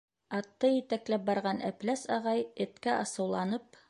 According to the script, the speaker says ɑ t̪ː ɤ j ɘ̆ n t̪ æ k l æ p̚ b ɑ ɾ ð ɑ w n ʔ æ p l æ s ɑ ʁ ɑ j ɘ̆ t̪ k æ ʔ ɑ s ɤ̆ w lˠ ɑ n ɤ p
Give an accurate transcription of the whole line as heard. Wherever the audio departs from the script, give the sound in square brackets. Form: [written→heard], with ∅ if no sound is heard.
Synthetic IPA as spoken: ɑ t̪ː ɤ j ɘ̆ [n→∅] t̪ æ k l æ p̚ b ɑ ɾ [ð→ʁ] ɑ [w→∅] n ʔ æ p l æ s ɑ ʁ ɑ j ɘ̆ t̪ k æ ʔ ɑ s ɤ̆ w lˠ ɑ n ɤ p